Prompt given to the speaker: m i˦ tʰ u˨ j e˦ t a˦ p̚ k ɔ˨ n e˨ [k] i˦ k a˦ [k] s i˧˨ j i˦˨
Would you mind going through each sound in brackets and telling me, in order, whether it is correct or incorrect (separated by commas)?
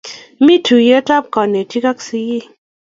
incorrect, correct